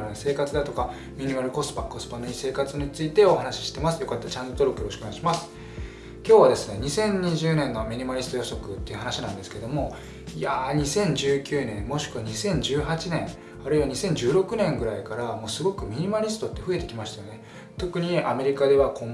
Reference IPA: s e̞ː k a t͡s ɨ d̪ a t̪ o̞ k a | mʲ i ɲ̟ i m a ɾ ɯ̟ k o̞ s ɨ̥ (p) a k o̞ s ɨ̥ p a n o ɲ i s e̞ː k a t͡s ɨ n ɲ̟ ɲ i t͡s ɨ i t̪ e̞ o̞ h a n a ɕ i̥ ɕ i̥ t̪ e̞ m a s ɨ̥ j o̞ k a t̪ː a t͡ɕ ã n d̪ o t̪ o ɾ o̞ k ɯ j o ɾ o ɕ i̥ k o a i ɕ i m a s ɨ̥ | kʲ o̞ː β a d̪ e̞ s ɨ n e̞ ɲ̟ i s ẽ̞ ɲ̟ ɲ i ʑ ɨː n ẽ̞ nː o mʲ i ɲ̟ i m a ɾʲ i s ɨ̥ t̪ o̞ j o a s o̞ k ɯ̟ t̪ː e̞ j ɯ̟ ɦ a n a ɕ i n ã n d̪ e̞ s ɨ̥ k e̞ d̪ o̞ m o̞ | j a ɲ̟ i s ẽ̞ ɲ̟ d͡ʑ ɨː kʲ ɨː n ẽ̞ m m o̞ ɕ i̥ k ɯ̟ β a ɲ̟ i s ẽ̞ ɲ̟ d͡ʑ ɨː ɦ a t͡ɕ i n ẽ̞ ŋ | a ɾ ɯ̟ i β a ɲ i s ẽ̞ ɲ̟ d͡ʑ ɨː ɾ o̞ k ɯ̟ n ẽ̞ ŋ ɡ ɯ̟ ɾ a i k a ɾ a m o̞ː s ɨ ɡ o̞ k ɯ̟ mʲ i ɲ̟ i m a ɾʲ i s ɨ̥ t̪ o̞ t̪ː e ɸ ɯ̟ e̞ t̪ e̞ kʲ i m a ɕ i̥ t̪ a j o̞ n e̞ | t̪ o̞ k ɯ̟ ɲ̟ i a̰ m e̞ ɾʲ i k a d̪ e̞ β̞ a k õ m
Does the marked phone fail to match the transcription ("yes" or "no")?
no